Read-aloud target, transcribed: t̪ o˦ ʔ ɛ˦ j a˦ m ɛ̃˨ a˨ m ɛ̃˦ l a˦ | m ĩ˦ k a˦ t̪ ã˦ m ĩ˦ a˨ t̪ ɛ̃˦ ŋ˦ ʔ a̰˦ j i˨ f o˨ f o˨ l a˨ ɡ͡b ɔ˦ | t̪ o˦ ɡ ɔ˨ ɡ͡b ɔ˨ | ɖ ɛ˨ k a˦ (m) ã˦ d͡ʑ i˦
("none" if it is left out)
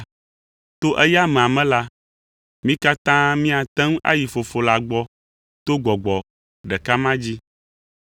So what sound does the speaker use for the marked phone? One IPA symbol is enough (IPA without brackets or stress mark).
m